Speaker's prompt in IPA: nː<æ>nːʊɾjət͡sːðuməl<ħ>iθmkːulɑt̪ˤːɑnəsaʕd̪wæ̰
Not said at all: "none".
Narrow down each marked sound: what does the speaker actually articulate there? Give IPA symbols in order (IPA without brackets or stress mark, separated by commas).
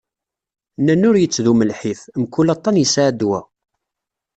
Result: æ, ħ